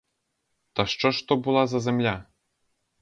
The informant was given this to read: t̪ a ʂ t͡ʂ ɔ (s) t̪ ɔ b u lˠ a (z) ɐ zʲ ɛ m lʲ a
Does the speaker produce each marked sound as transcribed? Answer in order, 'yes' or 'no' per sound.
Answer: no, yes

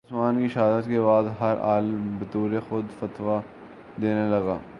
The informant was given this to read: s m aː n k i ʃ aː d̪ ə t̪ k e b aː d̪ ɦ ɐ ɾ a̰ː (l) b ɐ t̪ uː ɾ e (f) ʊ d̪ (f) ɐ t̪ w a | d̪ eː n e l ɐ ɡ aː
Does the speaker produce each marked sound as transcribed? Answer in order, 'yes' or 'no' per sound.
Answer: yes, no, yes

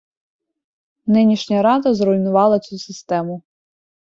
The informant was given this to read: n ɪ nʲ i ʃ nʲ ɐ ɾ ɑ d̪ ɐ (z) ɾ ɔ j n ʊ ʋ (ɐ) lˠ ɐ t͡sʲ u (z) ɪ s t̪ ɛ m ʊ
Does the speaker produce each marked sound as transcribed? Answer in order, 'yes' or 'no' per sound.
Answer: yes, no, no

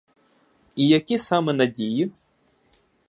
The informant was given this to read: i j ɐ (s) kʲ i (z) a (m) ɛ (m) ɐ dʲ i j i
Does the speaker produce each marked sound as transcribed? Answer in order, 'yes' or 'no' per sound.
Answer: no, no, yes, no

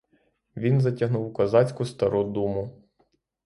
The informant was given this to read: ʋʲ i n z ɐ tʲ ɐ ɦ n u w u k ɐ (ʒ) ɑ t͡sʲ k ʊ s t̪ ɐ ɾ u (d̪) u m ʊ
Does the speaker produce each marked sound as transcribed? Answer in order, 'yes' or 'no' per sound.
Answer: no, yes

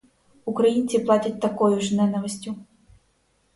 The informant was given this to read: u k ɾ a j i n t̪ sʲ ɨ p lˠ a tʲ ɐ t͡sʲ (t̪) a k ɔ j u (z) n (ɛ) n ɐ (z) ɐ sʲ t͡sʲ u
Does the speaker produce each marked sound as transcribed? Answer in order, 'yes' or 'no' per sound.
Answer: yes, no, yes, no

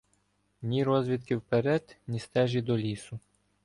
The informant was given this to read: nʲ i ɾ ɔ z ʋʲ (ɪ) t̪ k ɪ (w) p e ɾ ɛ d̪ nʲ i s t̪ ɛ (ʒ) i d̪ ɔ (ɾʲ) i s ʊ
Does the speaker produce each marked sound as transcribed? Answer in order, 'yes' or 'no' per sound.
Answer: no, yes, yes, no

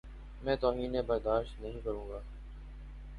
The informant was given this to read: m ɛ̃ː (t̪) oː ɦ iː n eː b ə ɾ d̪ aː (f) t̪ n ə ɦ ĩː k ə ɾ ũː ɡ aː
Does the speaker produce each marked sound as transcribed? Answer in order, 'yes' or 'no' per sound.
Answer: yes, no

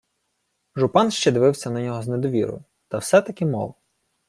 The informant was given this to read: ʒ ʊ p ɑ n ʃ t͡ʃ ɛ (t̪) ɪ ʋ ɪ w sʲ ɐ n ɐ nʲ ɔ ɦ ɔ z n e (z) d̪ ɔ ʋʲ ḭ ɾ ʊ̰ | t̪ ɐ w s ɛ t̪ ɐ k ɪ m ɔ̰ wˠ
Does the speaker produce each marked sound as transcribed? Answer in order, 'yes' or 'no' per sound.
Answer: no, no

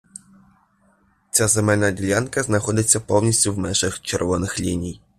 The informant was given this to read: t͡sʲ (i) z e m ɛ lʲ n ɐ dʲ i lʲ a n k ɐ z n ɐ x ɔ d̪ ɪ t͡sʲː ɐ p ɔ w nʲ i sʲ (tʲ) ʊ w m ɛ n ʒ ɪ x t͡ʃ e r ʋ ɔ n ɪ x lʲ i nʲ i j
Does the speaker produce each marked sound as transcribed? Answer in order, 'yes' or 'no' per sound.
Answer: no, yes

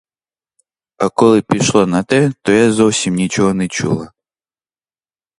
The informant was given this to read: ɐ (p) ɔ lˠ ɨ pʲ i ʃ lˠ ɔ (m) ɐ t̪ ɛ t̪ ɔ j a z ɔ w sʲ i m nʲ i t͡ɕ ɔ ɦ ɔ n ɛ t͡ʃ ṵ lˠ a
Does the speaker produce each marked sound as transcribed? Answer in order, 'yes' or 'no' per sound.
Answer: no, no

